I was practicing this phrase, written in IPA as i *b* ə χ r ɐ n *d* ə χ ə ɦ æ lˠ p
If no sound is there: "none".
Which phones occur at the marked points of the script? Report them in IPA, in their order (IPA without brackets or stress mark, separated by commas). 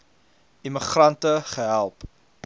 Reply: m, t